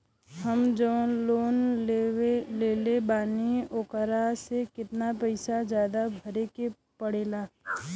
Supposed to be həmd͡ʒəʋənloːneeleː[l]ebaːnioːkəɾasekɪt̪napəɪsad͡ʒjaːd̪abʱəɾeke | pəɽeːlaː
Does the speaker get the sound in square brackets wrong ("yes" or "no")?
no